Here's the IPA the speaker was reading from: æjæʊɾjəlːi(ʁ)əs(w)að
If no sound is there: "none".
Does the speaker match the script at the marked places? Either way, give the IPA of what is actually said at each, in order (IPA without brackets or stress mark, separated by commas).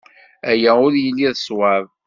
ð, w